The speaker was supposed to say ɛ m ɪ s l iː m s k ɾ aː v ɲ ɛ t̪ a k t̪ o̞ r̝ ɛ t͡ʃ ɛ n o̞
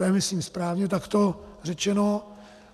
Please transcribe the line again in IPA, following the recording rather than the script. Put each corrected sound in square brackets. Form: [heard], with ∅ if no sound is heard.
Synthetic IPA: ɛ m ɪ s l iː m s [p] ɾ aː v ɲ ɛ t̪ a k t̪ o̞ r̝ ɛ t͡ʃ ɛ n o̞